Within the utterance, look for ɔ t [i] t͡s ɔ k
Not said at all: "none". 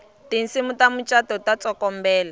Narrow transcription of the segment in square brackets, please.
a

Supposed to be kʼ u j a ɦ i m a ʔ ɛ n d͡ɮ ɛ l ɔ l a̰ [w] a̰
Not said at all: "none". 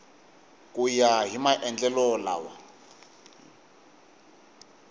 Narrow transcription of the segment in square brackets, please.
w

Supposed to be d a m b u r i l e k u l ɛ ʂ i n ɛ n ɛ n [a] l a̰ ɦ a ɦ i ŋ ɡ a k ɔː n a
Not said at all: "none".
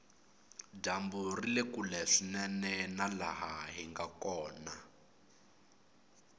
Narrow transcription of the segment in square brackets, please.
a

